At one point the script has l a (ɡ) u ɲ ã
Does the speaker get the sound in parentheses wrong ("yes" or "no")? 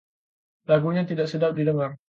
no